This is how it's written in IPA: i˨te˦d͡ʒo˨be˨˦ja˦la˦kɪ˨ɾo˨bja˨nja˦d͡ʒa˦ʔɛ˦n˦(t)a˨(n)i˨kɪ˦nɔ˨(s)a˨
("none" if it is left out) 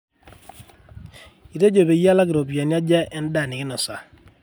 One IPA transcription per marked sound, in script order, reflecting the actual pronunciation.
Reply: d, n, s

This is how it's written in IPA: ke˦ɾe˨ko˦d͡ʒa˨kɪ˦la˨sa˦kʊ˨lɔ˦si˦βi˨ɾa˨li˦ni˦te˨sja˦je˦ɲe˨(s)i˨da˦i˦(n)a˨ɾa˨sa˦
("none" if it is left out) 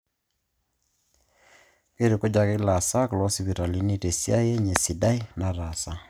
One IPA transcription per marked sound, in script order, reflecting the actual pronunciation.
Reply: s, n

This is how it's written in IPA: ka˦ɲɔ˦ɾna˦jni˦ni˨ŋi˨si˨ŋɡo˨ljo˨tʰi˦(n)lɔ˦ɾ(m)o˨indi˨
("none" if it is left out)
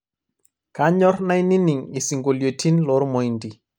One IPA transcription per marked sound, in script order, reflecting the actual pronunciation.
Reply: n, m

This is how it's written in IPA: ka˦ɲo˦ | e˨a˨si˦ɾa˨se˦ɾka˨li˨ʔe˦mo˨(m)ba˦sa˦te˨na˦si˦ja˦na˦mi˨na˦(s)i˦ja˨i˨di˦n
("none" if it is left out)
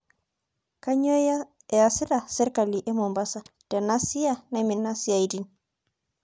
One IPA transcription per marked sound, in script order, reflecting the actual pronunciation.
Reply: m, s

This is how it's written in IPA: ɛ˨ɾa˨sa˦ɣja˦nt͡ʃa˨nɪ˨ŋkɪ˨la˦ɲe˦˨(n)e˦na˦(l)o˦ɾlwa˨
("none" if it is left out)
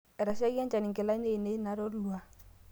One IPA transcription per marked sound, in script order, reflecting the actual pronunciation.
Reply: n, ɾ

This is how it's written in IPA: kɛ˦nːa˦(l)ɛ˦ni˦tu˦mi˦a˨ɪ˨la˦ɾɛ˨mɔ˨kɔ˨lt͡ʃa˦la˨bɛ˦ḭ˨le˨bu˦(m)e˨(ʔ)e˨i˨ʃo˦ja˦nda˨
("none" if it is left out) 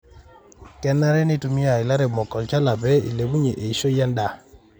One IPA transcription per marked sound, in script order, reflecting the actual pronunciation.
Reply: ɾ, ɲ, ʔ

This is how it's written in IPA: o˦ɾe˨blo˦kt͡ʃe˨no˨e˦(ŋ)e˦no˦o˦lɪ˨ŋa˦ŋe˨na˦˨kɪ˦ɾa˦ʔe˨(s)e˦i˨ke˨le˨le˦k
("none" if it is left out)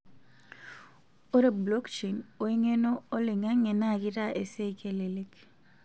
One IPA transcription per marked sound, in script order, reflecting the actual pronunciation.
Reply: ŋ, s

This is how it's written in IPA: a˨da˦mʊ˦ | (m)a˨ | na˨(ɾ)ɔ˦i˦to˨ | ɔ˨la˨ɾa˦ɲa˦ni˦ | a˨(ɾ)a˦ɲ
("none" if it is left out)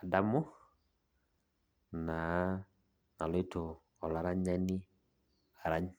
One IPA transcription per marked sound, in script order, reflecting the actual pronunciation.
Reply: n, l, ɾ

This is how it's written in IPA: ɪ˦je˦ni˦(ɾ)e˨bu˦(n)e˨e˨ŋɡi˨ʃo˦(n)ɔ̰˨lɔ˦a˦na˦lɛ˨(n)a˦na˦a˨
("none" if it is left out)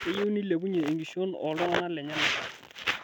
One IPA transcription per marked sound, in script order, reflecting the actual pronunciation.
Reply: l, ɲ, n, ɲ

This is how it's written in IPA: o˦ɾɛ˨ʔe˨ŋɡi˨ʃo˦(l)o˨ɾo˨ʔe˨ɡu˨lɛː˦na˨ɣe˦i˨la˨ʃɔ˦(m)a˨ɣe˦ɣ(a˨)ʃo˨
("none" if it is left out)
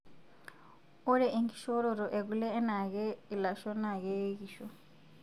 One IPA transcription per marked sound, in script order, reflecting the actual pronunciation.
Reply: ɾ, n, i˨

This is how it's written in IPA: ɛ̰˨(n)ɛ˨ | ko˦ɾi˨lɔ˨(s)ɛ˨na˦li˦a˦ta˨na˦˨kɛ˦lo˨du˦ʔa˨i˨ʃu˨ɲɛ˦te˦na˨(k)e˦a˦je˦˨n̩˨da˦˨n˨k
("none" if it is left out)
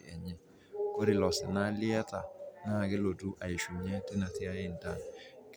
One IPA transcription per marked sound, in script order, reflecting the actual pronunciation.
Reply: ɲ, s, t

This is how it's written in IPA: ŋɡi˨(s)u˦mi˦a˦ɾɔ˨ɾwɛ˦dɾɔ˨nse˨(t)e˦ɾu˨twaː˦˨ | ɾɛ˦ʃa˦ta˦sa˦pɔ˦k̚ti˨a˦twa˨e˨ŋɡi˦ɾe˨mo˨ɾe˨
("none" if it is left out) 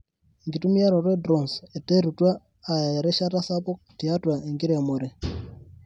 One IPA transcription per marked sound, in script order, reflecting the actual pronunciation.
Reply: t, t

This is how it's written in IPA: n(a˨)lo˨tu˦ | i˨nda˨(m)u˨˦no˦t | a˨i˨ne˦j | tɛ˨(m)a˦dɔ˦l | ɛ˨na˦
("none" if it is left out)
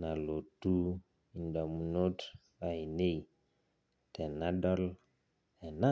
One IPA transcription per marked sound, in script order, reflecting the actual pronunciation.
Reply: a˨, m, n

